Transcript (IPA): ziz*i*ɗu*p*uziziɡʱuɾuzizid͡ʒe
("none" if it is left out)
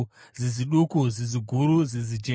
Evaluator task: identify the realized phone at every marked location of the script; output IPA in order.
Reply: i, k

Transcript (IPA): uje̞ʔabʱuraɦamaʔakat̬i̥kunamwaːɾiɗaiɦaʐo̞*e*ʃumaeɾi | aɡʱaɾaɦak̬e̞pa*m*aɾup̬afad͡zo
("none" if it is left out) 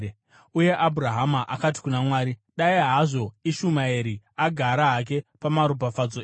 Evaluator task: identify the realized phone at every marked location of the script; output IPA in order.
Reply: i, m

